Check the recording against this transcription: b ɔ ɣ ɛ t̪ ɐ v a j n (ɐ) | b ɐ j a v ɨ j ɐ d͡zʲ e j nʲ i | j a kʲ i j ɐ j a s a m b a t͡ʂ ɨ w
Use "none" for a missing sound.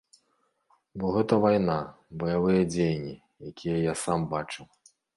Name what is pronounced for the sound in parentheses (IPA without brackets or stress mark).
a